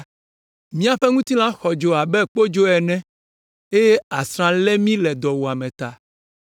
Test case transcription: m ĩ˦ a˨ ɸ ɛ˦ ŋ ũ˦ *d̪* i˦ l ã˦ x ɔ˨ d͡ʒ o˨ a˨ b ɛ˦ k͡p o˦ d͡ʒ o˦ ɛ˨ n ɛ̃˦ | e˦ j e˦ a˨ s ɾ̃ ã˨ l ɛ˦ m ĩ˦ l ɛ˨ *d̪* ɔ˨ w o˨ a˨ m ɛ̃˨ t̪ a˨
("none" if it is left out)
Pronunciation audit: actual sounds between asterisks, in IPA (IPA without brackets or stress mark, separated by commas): t̪, d̪